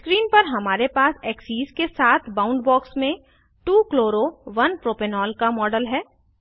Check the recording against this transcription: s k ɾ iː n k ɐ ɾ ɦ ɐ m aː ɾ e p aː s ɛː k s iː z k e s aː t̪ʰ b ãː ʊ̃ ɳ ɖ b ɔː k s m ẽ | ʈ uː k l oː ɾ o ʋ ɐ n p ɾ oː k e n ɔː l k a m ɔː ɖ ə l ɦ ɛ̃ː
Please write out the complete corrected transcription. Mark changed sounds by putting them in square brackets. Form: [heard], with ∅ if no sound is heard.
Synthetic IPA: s k ɾ iː n [p] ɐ ɾ ɦ ɐ m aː ɾ e p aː s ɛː k s iː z k e s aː t̪ʰ b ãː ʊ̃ ɳ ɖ b ɔː k s m ẽ | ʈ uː k l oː ɾ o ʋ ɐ n p ɾ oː [p] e n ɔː l k a m ɔː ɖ ə l ɦ [ɛː]